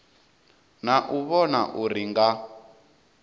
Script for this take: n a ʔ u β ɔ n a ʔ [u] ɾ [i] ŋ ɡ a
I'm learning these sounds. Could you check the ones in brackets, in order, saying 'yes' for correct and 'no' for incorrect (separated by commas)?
yes, yes